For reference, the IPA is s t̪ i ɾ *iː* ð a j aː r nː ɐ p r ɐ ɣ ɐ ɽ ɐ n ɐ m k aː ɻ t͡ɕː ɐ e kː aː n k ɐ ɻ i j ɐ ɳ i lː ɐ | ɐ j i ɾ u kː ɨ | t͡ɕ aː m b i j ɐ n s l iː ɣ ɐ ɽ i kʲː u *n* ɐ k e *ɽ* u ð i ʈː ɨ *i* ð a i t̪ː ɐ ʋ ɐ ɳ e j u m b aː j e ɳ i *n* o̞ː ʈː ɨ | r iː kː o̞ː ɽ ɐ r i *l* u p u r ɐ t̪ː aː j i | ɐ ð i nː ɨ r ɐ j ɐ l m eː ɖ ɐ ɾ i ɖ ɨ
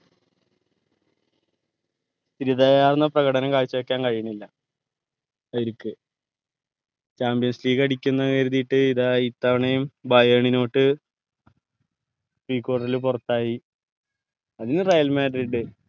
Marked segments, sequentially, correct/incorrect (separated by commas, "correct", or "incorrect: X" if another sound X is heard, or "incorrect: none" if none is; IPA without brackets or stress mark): incorrect: i, incorrect: nː, incorrect: ɾ, correct, correct, correct